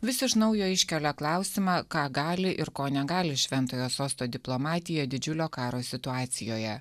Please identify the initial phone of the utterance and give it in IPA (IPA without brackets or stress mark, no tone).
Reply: ʋʲ